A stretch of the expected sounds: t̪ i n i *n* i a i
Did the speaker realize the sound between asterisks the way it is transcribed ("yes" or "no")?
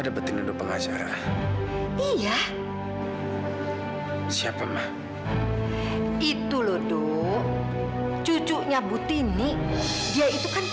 no